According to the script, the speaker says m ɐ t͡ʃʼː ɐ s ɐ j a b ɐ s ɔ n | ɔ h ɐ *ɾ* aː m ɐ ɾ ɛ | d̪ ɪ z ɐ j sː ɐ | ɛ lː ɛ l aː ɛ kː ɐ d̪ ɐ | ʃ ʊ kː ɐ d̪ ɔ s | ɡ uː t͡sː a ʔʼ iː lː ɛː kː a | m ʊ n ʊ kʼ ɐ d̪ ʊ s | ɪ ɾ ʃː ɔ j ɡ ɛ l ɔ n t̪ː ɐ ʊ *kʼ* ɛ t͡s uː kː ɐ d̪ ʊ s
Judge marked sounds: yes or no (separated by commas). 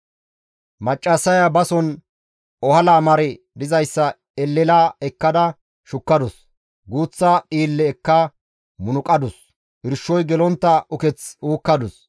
no, no